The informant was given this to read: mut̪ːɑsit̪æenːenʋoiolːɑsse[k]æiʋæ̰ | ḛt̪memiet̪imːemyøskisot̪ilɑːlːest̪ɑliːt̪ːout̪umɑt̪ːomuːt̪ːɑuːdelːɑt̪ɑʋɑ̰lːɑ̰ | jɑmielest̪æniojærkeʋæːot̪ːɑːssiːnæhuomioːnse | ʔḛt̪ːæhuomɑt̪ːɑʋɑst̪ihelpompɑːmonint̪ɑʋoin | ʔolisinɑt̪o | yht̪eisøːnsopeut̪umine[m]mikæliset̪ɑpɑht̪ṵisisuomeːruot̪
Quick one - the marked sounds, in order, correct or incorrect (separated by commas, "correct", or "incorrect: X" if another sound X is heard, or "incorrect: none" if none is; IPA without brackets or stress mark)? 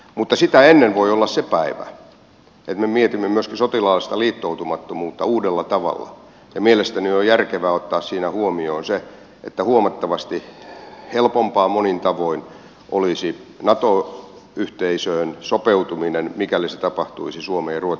incorrect: p, incorrect: n